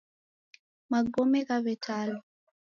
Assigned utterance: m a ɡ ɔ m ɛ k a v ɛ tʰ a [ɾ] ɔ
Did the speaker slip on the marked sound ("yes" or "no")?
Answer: yes